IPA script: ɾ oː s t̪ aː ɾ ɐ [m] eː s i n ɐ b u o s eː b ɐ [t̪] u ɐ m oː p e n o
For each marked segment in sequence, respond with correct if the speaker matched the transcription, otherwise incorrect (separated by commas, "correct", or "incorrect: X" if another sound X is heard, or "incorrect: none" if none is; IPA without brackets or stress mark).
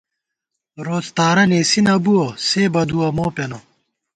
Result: incorrect: n, incorrect: d̪